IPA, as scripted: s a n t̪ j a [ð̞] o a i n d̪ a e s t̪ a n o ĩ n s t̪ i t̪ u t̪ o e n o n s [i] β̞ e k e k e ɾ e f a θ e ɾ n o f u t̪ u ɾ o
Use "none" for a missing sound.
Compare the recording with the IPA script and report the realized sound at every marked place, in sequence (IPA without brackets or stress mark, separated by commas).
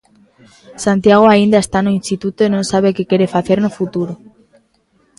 ɣ̞, a